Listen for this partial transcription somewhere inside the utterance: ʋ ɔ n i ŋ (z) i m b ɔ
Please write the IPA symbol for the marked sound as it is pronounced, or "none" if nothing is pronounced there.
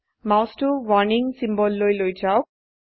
s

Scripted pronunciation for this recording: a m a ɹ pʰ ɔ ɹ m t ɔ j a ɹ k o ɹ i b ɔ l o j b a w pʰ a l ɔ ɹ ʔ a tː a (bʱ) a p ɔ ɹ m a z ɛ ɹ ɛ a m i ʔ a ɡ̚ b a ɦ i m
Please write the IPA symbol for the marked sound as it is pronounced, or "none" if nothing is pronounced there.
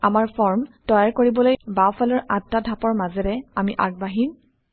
dʱ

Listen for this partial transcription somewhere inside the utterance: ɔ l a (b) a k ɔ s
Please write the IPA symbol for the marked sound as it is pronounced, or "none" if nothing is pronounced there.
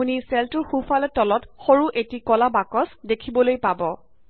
b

